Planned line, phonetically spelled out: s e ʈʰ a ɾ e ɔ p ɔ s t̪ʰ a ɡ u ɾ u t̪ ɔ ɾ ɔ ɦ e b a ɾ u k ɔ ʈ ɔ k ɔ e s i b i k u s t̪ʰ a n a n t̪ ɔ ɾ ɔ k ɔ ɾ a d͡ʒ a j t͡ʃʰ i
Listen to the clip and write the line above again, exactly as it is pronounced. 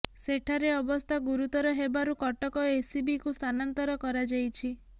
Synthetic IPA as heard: s e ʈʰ a ɾ e ɔ b ɔ s t̪ʰ a ɡ u ɾ u t̪ ɔ ɾ ɔ ɦ e b a ɾ u k ɔ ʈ ɔ k ɔ e s i b i k u s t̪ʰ a n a n t̪ ɔ ɾ ɔ k ɔ ɾ a d͡ʒ a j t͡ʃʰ i